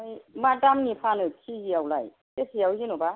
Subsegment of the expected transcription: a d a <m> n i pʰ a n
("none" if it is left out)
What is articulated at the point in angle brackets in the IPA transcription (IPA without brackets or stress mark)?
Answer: m